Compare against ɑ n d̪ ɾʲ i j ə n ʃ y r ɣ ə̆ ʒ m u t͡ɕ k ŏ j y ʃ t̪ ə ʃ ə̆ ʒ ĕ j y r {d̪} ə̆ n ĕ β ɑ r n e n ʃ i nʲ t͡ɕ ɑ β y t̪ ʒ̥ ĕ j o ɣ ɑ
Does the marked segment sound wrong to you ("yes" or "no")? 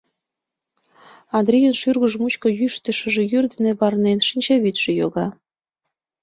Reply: no